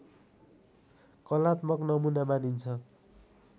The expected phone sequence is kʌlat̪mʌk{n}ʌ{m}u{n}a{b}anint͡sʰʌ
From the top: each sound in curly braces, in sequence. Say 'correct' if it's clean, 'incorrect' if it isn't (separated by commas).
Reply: correct, correct, correct, incorrect